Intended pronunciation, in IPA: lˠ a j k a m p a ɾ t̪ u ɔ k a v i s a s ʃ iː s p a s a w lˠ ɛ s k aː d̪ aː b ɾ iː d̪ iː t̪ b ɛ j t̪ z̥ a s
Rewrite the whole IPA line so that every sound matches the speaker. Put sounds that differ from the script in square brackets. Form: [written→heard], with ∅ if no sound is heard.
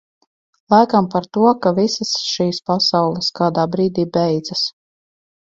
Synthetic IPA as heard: lˠ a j k a m p a ɾ t̪ u ɔ k a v i s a s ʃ iː s p a s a w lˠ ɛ s k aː d̪ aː b ɾ iː d̪ iː [t̪→∅] b ɛ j [t̪→d̪] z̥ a s